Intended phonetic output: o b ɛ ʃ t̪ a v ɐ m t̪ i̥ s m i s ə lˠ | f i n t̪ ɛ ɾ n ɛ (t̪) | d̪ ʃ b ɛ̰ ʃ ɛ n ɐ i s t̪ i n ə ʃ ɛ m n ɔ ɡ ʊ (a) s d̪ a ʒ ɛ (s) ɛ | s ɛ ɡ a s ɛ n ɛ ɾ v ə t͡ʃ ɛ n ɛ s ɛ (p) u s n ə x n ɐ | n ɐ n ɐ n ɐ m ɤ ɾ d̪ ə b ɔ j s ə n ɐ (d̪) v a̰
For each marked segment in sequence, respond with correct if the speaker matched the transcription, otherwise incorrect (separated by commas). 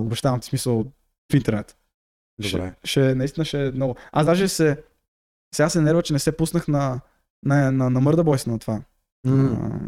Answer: correct, correct, correct, correct, incorrect